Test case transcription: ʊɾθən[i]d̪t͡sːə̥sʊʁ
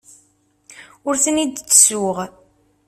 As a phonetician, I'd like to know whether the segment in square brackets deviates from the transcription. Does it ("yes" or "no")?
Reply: no